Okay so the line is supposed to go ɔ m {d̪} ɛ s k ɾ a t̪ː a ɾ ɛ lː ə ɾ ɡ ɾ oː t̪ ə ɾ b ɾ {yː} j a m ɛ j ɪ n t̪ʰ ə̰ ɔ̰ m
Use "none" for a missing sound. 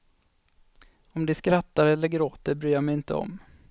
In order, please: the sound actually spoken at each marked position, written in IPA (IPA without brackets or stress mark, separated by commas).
d̪, yː